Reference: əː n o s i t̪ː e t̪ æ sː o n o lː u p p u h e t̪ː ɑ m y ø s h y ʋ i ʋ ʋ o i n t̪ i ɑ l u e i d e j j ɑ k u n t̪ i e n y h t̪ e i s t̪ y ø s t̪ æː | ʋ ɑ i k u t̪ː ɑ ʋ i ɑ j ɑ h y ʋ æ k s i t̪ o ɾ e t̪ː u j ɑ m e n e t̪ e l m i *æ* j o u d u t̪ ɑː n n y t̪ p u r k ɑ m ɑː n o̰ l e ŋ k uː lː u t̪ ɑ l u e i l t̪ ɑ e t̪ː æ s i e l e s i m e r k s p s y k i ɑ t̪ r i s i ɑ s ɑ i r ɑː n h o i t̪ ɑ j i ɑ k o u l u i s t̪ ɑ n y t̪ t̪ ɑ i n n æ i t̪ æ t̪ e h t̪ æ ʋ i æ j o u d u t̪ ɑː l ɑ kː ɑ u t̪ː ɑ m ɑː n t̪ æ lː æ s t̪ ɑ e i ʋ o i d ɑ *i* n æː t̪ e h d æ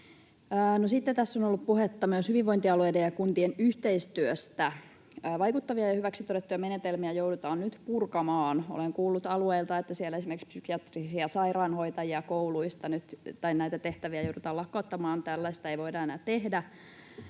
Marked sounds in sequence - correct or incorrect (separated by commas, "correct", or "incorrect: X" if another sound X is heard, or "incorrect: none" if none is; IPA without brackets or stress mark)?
correct, incorrect: e